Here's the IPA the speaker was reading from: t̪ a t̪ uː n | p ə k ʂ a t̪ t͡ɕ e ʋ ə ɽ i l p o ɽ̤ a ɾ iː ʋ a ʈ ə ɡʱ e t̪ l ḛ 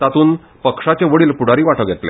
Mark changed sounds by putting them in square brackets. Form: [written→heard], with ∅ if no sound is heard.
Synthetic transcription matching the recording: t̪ a t̪ uː n | p ə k ʂ a [t̪→∅] t͡ɕ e ʋ ə ɽ [i→iː] l p [o→u] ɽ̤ a ɾ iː ʋ a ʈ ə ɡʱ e t̪ l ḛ

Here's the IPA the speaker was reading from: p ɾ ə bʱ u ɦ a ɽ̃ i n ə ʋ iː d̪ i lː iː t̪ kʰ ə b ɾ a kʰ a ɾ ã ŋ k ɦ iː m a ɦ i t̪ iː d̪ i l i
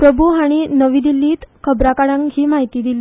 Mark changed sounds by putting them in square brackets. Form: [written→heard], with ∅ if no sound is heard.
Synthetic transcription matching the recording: p ɾ ə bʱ u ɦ a ɽ̃ i n ə ʋ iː d̪ i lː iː t̪ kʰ ə b ɾ a [kʰ→k] a [ɾ→ɽ] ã ŋ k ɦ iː m a ɦ i t̪ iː d̪ i l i

